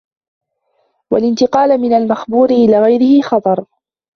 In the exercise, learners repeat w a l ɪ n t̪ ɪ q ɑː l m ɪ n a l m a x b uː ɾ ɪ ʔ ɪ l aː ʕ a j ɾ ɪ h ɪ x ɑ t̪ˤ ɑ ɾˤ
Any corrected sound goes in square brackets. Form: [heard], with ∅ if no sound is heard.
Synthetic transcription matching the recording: w a l ɪ n t̪ ɪ q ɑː l m ɪ n a l m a x b uː ɾ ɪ ʔ ɪ l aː [ɣ] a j ɾ ɪ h ɪ x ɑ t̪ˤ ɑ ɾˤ